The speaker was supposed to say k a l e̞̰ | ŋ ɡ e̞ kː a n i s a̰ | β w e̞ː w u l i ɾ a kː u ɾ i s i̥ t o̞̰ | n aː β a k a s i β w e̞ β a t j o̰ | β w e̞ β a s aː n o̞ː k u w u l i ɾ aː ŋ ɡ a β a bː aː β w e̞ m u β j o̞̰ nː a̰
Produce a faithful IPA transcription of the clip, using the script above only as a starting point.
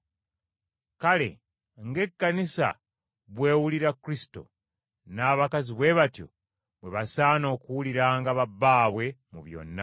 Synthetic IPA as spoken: k a l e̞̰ | ŋ ɡ e̞ kː a n i s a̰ | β w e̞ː w u l i ɾ a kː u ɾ i s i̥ t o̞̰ | n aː β a k a z i β w e̞ β a t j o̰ | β w e̞ β a s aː n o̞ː k u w u l i ɾ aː ŋ ɡ a β a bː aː β w e̞ m u β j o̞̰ nː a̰